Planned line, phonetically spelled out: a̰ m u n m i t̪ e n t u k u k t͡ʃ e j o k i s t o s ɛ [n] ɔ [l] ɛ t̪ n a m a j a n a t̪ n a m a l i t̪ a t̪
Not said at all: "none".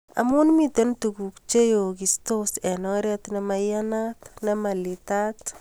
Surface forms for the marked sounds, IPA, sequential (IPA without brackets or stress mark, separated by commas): n, ɾ